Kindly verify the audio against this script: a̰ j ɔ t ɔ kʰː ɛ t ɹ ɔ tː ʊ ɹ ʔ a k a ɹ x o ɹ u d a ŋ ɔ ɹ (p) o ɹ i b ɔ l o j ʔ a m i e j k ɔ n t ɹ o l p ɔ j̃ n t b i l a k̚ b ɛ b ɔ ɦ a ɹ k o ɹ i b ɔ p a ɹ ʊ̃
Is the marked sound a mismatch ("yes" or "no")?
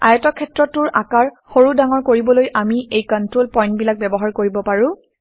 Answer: yes